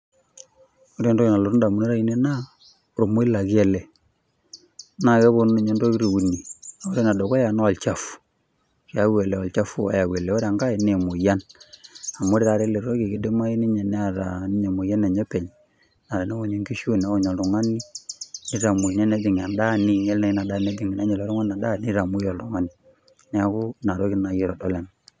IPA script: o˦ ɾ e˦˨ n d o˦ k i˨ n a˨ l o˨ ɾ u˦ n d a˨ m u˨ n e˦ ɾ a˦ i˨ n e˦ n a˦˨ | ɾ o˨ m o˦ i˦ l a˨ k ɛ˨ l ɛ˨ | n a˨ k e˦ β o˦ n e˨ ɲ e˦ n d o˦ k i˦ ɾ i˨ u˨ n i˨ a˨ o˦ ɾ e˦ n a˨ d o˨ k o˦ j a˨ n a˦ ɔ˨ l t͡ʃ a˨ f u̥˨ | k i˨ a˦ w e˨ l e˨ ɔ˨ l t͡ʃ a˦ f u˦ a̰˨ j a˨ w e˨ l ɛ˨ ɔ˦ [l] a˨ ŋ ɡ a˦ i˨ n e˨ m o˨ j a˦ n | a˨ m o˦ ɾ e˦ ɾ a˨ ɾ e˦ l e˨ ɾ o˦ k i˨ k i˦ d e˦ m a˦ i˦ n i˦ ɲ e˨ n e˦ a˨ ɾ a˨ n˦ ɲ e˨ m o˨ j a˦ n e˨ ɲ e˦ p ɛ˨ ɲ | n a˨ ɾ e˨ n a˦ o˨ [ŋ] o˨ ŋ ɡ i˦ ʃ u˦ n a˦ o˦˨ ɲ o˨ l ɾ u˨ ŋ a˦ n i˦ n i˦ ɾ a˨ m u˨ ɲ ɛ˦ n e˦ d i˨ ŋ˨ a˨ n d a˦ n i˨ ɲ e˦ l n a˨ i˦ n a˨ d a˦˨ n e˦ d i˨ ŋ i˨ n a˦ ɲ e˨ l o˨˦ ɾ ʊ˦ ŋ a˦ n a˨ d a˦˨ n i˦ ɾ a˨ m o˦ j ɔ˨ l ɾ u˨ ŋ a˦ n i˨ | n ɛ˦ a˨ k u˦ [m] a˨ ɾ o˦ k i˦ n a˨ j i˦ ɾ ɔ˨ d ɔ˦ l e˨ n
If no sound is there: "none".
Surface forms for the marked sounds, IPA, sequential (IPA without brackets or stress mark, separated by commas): ɾ, ɲ, n